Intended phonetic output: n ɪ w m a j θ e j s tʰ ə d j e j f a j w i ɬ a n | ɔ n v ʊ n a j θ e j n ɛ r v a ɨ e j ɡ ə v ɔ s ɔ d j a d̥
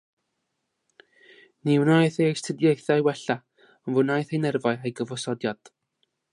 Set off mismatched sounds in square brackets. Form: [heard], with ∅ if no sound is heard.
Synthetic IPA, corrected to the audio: n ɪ w [n] a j θ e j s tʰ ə d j e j [θ] a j w [ɛ] ɬ a [∅] | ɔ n v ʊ n a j θ e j n ɛ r v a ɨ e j ɡ ə v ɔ s ɔ d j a d̥